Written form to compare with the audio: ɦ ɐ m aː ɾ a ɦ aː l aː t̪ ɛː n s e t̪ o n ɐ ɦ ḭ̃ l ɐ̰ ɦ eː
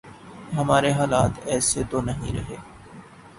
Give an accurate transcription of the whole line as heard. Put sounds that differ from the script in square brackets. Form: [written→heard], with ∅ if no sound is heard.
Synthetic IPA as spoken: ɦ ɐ m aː ɾ [a→e] ɦ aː l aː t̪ ɛː [n→∅] s e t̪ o n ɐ ɦ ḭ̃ [l→ɾ] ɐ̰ ɦ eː